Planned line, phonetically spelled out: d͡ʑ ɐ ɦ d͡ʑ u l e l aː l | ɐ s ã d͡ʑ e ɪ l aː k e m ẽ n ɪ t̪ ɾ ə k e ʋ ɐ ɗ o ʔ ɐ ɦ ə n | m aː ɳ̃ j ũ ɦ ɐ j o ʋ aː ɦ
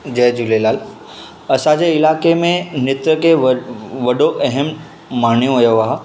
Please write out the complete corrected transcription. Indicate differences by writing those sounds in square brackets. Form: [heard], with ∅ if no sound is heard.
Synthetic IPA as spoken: d͡ʑ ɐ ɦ d͡ʑ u l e l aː l | ɐ s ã d͡ʑ e ɪ l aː k e m ẽ n ɪ t̪ ɾ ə k e ʋ ɐ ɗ o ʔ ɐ ɦ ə [m] | m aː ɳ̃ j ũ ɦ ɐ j o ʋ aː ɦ